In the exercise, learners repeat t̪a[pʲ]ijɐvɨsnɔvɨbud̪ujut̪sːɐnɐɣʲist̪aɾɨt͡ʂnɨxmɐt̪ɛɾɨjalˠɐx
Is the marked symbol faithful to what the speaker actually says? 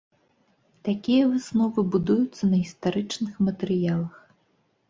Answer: no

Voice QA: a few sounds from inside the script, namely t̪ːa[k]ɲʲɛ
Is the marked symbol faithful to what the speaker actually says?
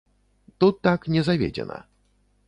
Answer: yes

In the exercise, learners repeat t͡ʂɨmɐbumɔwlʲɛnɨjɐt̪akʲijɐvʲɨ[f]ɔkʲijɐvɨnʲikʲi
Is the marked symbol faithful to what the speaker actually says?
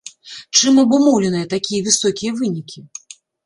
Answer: no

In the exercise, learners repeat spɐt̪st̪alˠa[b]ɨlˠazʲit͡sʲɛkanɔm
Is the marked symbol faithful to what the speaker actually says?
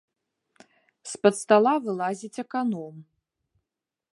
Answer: no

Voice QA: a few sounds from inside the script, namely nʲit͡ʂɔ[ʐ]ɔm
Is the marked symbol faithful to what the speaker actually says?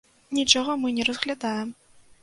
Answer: no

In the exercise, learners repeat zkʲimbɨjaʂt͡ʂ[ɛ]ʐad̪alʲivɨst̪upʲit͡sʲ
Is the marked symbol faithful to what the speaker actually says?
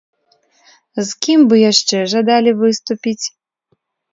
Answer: yes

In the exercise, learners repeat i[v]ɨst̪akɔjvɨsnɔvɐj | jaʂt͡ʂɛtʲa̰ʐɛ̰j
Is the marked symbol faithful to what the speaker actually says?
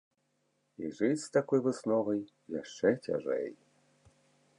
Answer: no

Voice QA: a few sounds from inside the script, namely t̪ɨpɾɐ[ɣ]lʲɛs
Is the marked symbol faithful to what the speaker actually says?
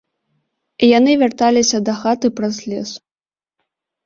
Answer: no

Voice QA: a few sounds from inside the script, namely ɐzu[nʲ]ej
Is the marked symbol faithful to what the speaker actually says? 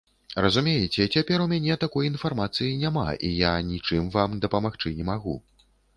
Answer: no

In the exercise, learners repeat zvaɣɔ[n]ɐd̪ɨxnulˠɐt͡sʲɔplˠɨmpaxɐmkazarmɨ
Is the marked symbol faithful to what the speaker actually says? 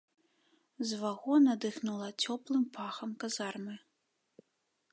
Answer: yes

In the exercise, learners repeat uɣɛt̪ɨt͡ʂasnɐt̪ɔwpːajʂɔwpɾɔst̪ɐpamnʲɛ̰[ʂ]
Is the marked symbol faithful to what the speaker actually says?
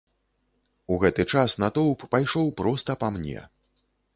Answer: no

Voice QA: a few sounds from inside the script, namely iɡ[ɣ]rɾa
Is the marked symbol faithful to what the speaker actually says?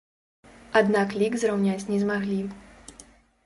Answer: no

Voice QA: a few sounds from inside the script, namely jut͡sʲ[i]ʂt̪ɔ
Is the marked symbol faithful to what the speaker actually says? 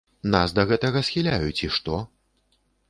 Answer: yes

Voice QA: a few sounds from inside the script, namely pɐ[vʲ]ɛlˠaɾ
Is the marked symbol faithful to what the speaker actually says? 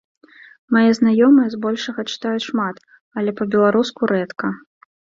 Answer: no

